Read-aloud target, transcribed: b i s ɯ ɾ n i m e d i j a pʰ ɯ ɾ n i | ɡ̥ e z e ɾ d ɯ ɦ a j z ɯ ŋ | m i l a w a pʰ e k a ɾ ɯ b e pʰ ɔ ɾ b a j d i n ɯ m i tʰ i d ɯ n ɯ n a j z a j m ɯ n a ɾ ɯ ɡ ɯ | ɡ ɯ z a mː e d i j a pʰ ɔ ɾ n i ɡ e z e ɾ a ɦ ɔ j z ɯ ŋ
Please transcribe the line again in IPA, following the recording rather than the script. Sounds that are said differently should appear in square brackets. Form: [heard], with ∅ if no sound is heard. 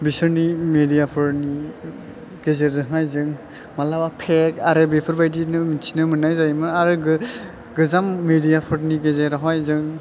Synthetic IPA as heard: b i s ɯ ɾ n i m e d i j a pʰ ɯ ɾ n i | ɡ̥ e z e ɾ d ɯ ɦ a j z ɯ ŋ | m [a] l a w a pʰ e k a ɾ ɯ b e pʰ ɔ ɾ b a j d i n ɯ m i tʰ i [n] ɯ [m] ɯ n a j z a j m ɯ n a ɾ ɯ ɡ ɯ | ɡ ɯ z a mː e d i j a pʰ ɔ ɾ n i ɡ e z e ɾ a ɦ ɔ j z ɯ ŋ